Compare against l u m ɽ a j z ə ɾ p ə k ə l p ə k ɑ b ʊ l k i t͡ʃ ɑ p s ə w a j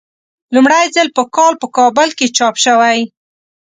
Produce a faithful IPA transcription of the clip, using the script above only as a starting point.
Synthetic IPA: l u m ɽ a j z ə l p ə k ɑ l p ə k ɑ b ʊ l k e t͡ʃ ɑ p ʃ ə w a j